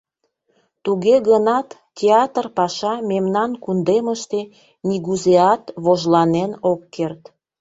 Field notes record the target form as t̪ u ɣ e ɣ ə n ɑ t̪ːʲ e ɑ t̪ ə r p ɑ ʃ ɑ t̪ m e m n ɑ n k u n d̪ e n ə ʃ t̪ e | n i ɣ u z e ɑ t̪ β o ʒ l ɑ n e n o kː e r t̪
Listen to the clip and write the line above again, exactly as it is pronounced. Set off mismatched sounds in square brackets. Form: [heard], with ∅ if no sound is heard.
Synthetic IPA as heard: t̪ u ɣ e ɣ ə n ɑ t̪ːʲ e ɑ t̪ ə r p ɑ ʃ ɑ [∅] m e m n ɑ n k u n d̪ e [m] ə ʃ t̪ e | n i ɣ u z e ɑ t̪ β o ʒ l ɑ n e n o kː e r t̪